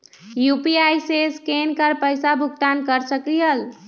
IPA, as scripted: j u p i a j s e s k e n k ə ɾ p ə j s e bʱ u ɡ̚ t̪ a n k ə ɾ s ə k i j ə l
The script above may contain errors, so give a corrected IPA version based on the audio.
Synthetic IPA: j u p i a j s e s k e n k ə ɾ p ə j s a bʱ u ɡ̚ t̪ a n k ə ɾ s ə k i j ə l